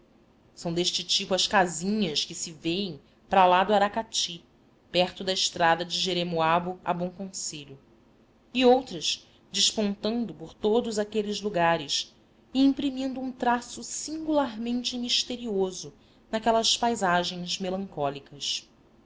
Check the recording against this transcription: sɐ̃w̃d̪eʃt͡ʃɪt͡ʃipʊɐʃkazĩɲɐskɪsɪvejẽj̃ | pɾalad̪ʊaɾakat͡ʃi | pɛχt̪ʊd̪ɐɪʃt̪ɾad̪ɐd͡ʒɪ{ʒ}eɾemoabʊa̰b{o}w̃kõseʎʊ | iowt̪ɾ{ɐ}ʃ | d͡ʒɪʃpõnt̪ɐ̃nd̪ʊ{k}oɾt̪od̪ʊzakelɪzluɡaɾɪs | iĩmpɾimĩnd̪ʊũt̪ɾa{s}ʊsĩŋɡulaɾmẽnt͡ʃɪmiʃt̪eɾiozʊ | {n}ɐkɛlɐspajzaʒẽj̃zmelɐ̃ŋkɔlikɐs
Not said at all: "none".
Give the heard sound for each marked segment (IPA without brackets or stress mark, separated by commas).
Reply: ʒ, õ, ɐ, p, s, n